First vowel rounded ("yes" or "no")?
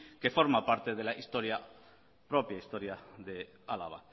no